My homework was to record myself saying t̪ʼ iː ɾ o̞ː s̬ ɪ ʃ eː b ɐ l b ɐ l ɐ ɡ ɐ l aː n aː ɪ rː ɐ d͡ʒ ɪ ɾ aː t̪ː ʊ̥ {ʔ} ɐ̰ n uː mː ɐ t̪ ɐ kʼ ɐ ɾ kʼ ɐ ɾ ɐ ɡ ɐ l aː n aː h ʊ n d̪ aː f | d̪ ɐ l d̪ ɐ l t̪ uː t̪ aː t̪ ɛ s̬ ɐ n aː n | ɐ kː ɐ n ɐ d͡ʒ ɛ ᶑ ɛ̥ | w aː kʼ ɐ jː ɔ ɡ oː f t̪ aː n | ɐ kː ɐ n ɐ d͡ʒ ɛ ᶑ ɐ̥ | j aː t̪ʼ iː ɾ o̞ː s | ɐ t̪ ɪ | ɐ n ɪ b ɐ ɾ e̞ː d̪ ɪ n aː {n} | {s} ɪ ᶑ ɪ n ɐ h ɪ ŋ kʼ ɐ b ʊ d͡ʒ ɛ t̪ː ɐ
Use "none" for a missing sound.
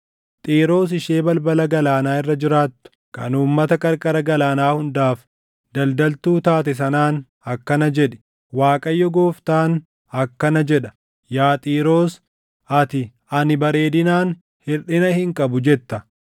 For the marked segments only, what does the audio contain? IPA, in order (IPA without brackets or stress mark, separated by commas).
k, n, h